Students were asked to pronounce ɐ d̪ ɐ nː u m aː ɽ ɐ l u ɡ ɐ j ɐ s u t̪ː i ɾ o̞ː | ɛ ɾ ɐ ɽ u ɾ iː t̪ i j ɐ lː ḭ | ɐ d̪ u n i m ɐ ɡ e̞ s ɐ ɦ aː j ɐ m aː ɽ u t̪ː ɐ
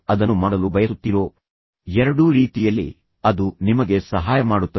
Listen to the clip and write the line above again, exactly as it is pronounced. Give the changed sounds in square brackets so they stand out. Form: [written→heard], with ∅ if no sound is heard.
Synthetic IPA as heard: ɐ d̪ ɐ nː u m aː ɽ ɐ l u [ɡ→b] ɐ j ɐ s u t̪ː i ɾ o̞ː | ɛ ɾ ɐ ɽ u ɾ iː t̪ i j ɐ lː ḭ | ɐ d̪ u n i m ɐ ɡ e̞ s ɐ ɦ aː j ɐ m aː ɽ u t̪ː ɐ